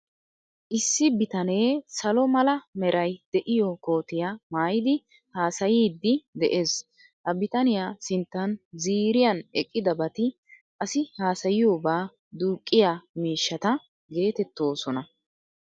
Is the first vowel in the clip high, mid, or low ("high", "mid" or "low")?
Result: high